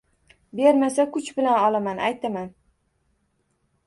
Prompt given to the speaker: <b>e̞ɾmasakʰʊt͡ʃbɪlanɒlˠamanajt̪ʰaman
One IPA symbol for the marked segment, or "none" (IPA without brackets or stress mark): b